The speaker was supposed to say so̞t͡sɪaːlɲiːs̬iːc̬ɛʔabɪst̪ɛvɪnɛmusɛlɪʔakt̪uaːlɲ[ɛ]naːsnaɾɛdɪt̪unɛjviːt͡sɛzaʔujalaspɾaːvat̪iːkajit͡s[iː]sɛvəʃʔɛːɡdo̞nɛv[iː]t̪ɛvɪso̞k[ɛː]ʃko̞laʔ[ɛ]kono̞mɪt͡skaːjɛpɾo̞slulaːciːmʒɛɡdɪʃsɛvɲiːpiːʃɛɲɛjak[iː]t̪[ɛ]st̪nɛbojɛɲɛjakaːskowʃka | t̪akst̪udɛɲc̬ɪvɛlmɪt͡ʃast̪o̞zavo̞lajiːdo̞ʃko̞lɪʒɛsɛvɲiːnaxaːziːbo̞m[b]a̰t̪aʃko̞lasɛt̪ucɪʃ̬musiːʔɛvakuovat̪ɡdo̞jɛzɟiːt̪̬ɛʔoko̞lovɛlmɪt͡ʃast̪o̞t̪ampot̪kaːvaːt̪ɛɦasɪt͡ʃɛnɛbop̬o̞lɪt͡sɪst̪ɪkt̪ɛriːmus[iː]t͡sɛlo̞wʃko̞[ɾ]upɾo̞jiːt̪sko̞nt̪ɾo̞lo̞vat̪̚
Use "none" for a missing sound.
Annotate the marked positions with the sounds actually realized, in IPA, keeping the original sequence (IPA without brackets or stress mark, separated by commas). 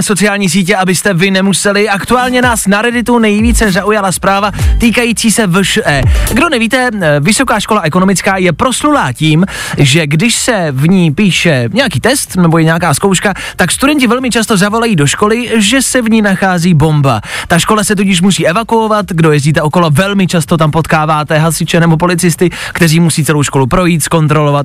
ɛ, iː, iː, aː, ɛ, iː, ɛ, b, iː, l